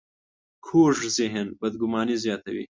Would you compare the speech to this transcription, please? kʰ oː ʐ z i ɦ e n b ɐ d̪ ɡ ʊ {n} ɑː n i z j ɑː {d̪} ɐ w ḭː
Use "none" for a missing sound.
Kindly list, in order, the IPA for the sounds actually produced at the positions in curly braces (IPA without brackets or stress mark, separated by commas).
m, t̪